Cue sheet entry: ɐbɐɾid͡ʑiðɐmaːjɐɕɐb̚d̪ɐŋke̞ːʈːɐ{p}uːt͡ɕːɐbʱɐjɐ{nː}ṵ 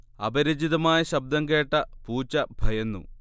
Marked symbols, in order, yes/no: yes, yes

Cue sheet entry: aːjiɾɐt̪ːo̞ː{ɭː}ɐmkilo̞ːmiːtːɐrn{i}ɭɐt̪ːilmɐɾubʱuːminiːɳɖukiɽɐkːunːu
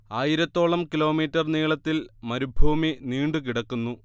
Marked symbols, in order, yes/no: no, no

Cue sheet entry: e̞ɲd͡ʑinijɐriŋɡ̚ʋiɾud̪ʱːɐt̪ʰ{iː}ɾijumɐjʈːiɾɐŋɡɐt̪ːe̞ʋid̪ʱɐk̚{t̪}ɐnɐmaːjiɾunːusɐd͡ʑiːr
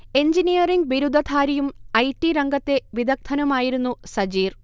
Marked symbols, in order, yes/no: no, no

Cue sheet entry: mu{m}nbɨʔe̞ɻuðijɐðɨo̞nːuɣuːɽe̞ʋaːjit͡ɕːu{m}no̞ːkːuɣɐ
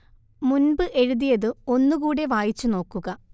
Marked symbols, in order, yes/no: no, no

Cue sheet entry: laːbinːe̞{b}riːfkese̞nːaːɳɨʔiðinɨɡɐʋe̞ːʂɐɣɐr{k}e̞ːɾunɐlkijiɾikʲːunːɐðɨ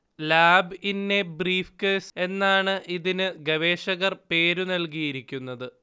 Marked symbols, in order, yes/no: yes, no

